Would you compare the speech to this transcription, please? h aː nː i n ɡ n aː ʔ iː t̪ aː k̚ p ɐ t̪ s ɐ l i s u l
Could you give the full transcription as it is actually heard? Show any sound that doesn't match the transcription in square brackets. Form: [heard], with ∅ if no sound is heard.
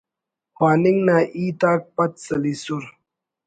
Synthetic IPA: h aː [n] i [ŋ] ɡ n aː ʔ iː t̪ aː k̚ p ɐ t̪ s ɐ l i s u [ɾ]